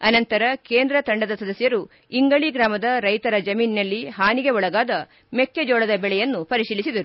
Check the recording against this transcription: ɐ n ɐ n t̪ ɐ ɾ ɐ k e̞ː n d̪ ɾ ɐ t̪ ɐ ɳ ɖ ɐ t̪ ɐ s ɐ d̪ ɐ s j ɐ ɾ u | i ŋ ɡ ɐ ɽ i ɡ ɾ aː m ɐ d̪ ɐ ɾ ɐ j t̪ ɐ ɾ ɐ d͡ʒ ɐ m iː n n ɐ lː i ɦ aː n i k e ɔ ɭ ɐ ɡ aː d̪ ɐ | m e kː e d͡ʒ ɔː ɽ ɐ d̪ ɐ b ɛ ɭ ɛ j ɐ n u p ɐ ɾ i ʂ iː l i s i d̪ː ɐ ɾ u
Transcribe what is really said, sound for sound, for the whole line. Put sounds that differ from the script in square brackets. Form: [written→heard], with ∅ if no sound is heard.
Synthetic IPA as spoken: ɐ n ɐ n t̪ ɐ ɾ ɐ k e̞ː n d̪ ɾ ɐ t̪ ɐ ɳ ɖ ɐ [t̪→d̪] ɐ s ɐ d̪ ɐ s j ɐ ɾ u | i ŋ ɡ ɐ [ɽ→ɭ] i ɡ ɾ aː m ɐ d̪ ɐ ɾ ɐ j t̪ ɐ ɾ ɐ d͡ʒ ɐ m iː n n ɐ lː i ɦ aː n i [k→ɡ] e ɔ ɭ ɐ ɡ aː d̪ ɐ | m e kː e d͡ʒ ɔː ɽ ɐ d̪ ɐ b ɛ ɭ ɛ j ɐ [n→nː] u p ɐ ɾ i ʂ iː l i s i [d̪ː→d̪] ɐ ɾ u